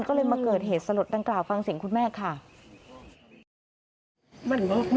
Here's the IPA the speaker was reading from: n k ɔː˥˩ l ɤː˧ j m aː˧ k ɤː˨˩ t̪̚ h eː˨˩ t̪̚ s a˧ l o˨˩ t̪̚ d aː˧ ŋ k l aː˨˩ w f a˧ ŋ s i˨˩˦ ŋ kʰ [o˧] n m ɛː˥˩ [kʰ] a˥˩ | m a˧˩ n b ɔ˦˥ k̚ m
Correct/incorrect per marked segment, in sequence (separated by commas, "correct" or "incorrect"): incorrect, correct